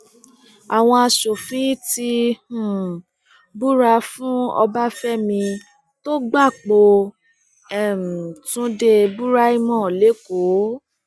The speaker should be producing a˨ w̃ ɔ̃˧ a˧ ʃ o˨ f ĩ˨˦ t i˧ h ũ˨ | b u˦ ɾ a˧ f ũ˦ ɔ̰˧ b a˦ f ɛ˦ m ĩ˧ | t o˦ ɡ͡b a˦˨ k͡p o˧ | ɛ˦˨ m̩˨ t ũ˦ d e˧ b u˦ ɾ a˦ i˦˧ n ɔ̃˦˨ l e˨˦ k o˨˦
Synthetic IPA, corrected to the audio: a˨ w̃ ɔ̃˧ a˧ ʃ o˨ f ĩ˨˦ t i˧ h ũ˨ | b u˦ ɾ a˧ f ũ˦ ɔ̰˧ b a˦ f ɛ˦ m ĩ˧ | t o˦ ɡ͡b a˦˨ k͡p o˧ | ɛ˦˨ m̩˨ t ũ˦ d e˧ b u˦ ɾ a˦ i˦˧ m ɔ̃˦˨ l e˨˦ k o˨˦

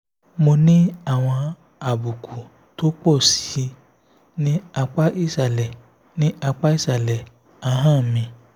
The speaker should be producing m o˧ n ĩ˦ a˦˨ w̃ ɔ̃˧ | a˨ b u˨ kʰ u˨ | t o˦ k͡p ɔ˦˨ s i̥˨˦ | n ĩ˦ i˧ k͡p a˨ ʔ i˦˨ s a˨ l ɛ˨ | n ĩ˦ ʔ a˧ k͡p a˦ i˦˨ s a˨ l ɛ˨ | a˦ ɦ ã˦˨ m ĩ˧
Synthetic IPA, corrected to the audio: m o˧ n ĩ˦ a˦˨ w̃ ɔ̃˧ | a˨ b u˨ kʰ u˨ | t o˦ k͡p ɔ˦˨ s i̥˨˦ | n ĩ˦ a˧ k͡p a˦ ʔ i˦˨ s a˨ l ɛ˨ | n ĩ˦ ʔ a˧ k͡p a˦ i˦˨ s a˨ l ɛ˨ | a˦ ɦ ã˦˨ m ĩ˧

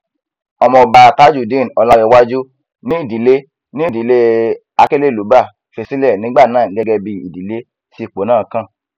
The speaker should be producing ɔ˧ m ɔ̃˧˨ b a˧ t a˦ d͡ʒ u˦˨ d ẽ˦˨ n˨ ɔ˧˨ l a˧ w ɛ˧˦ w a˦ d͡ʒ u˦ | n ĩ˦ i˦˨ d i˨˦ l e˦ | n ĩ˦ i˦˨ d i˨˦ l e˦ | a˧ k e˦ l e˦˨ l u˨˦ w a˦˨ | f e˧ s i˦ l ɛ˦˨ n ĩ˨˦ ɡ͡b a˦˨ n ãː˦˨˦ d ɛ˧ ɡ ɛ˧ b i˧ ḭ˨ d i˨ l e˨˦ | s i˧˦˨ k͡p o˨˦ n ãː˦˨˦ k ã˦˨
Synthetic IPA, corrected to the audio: ɔ˧ m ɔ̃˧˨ b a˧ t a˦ d͡ʒ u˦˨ d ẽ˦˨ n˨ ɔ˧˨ l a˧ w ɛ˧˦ w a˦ d͡ʒ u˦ | n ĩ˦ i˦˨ d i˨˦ l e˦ | n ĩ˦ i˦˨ d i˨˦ l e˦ | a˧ k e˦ l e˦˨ l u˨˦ b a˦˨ | f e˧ s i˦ l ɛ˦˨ n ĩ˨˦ ɡ͡b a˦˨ n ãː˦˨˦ ɡ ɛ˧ ɡ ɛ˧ b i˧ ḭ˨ d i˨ l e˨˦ | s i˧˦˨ k͡p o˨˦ n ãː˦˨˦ k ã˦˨

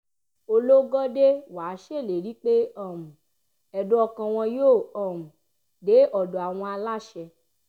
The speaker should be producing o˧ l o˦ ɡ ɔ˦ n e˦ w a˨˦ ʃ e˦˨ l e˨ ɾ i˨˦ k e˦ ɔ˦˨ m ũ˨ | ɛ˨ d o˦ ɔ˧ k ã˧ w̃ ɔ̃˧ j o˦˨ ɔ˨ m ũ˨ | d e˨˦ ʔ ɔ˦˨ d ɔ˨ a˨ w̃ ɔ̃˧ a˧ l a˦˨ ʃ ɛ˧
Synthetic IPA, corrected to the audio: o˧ l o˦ ɡ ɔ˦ d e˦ w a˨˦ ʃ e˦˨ l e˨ ɾ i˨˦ k͡p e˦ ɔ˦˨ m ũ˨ | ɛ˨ d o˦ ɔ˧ k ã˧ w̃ ɔ̃˧ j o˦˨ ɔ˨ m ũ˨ | d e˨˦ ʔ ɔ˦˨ d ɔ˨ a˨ w̃ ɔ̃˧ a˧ l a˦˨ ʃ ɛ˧

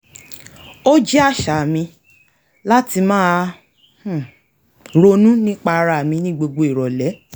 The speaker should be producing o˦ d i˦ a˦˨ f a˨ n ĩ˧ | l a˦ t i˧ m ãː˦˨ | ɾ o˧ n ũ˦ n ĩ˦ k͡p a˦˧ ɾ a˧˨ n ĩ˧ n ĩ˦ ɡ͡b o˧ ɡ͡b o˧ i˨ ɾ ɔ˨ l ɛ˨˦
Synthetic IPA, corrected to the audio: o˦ d͡ʒ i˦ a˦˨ ʃ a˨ m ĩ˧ | l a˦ t i˧ m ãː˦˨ | ɾ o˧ n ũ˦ n ĩ˦ k͡p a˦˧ ɾ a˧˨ m ĩ˧ n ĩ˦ ɡ͡b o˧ ɡ͡b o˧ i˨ ɾ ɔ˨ l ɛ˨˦

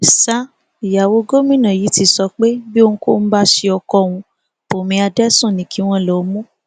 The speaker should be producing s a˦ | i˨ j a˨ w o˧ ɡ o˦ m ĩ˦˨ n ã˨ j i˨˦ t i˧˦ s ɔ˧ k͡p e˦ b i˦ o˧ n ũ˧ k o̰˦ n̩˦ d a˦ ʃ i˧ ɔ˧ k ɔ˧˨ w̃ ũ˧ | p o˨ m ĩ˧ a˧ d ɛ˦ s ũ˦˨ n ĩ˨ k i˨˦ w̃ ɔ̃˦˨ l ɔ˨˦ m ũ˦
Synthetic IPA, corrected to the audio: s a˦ | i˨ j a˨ w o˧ ɡ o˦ m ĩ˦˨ n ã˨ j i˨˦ t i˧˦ s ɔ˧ k͡p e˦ b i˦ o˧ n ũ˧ k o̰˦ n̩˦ b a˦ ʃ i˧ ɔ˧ k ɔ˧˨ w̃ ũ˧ | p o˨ m ĩ˧ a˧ d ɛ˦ s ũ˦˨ n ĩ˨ k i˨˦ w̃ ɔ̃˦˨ l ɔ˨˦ m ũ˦

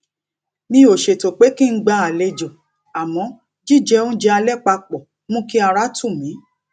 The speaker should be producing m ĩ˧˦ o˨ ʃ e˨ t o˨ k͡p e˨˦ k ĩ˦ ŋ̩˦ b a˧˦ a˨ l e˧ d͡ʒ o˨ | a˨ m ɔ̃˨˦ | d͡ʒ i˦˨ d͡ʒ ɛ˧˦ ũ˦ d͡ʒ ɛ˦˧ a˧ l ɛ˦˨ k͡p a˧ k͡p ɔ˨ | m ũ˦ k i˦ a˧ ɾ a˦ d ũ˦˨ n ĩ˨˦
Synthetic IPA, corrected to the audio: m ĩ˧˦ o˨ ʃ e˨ t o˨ k͡p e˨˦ k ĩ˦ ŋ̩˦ ɡ͡b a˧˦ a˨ l e˧ d͡ʒ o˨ | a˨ m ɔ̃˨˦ | d͡ʒ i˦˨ d͡ʒ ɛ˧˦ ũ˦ d͡ʒ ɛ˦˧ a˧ l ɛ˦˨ k͡p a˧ k͡p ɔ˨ | m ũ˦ k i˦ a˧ ɾ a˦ t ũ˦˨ m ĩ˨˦

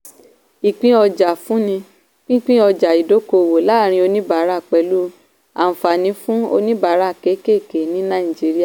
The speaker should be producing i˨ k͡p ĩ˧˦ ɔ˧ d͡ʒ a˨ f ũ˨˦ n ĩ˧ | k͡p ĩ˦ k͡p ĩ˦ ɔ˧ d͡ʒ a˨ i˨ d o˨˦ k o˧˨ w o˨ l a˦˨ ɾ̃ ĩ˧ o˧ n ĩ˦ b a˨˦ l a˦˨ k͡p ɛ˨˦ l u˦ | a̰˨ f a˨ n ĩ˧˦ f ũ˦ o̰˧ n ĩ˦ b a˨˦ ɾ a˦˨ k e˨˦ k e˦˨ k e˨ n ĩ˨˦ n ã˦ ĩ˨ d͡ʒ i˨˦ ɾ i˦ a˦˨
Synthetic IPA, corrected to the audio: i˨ k͡p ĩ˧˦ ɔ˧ d͡ʒ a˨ f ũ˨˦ n ĩ˧ | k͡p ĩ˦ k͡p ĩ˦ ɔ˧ d͡ʒ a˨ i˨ d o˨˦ k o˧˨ w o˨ l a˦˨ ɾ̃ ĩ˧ o˧ n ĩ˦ b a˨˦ ɾ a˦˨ k͡p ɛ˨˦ l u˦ | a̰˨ f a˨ n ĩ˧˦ f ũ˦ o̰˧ n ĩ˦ b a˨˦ ɾ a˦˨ k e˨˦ k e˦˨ k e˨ n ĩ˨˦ n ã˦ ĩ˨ d͡ʒ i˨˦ ɾ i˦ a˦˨

